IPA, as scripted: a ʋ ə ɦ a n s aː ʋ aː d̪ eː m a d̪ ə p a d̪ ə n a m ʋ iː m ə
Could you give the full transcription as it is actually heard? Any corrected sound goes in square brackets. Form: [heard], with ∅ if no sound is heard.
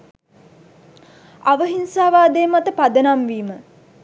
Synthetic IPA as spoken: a ʋ ə ɦ [i] n s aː ʋ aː d̪ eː m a [t̪] ə p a d̪ ə n a m ʋ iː m ə